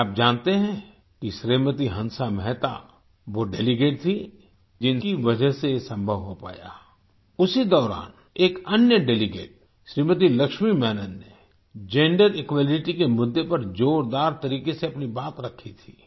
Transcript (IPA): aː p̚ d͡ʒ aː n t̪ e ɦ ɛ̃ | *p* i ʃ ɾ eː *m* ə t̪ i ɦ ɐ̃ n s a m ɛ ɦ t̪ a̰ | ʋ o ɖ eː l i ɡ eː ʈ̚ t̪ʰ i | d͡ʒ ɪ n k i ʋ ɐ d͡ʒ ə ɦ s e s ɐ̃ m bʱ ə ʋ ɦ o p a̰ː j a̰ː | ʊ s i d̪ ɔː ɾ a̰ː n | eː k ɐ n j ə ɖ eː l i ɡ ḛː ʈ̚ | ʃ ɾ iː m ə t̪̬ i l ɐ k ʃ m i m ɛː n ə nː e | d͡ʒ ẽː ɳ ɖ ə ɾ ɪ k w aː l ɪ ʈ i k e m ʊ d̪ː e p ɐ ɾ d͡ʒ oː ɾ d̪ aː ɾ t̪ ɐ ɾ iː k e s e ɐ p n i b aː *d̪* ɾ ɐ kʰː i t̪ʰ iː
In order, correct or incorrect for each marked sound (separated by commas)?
incorrect, correct, incorrect